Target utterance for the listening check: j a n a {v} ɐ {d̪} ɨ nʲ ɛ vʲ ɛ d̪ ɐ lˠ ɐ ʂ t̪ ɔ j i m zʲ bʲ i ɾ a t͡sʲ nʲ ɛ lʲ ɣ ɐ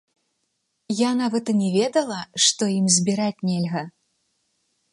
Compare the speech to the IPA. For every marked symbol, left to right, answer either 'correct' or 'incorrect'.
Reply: correct, incorrect: t̪

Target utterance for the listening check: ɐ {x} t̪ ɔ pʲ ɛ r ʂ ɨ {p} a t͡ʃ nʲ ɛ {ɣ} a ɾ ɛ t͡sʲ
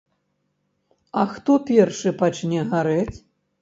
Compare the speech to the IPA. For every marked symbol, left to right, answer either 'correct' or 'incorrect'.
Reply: correct, correct, correct

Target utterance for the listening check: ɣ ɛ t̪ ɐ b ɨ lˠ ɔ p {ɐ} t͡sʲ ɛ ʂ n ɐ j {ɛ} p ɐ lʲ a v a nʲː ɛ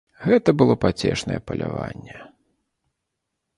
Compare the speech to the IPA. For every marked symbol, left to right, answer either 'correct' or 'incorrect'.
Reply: incorrect: a, correct

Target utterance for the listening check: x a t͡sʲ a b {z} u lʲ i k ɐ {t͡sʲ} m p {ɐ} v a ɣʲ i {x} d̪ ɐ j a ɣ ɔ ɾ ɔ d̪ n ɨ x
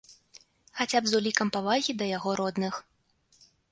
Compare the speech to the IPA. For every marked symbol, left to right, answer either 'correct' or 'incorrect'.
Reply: correct, incorrect: none, incorrect: a, incorrect: none

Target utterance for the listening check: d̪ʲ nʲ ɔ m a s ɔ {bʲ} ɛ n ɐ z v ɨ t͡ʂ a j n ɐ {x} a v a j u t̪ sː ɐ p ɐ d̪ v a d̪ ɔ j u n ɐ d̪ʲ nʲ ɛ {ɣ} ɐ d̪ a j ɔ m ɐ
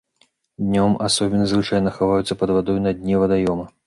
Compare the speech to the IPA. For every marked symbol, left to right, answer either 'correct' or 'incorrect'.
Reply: correct, correct, incorrect: v

